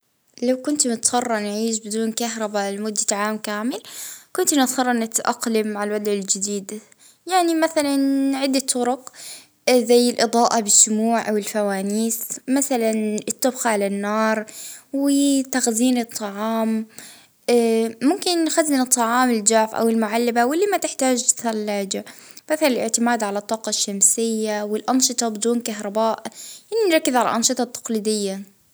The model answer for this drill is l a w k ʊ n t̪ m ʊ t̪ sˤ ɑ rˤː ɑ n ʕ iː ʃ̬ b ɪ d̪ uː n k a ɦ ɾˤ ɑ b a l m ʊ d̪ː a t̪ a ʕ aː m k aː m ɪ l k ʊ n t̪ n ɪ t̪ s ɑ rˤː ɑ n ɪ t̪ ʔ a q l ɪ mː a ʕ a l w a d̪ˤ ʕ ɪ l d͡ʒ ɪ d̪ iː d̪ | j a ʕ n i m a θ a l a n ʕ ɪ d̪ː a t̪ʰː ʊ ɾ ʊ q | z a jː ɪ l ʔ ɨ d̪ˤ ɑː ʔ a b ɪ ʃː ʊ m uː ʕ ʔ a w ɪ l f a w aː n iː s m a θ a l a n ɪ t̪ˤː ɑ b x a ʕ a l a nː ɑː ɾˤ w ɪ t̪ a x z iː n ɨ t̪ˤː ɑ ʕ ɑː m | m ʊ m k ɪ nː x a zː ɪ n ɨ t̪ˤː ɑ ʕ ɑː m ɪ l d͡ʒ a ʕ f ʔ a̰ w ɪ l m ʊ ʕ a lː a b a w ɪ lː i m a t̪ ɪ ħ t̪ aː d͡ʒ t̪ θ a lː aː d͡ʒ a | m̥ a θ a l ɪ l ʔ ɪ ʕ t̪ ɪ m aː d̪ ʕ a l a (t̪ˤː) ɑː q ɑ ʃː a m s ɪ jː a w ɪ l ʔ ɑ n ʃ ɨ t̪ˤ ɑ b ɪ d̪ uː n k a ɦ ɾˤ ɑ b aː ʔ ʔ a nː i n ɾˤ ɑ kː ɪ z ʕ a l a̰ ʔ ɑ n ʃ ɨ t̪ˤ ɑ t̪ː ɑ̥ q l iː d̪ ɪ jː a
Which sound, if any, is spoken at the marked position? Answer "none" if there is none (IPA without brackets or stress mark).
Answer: t̪ˤː